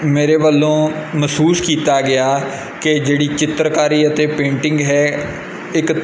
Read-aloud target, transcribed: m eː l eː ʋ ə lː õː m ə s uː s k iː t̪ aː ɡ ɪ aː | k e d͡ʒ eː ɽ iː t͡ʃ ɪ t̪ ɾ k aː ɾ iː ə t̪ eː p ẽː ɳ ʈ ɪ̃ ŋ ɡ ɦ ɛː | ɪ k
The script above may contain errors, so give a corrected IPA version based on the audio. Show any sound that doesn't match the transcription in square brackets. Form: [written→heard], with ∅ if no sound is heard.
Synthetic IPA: m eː [l→ɾ] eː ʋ ə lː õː m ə s uː s k iː t̪ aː ɡ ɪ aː | k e d͡ʒ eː ɽ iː t͡ʃ ɪ t̪ ɾ k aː ɾ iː ə t̪ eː p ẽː ɳ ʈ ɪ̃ ŋ ɡ ɦ ɛː | ɪ k